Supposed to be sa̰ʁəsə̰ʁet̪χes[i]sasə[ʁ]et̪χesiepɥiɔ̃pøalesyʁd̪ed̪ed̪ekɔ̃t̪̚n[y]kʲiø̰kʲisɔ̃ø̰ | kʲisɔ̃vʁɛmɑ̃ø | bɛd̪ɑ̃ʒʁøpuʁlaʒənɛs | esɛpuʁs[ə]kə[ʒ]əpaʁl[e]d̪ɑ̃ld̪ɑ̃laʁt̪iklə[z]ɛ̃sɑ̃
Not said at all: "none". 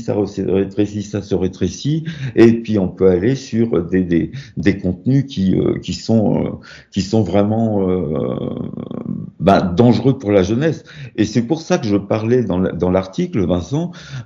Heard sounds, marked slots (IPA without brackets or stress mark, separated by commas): i, ʁ, y, a, ʒ, ɛ, v